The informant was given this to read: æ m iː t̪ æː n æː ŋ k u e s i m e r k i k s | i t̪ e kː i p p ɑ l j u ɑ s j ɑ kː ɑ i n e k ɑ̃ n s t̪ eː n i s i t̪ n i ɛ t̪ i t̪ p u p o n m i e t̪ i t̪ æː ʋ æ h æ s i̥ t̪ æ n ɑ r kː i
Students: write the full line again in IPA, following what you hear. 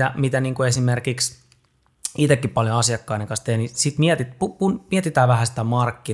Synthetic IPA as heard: æ m i t̪ æ n iː ŋ k u e s i m e r k i k s | i t̪ e kː i p p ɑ l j o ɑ s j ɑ kː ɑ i n e k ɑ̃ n s t̪ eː n i s i t̪ m i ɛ t̪ i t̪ p u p u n m i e t̪ i t̪ æː ʋ æ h æ s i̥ t̪ æ m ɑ r kː i